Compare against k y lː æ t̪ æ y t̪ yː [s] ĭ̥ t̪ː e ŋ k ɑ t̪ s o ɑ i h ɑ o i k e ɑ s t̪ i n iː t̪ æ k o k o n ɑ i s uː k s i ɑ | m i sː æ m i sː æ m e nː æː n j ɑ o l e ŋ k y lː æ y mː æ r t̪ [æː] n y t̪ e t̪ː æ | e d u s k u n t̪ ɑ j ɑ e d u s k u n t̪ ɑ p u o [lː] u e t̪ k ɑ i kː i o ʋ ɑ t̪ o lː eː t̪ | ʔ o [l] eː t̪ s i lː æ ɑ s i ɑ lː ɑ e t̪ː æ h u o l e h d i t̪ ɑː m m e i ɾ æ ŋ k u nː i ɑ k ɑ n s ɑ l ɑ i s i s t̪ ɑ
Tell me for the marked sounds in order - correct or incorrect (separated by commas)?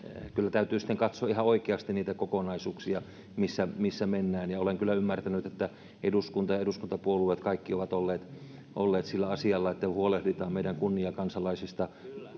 correct, incorrect, incorrect, incorrect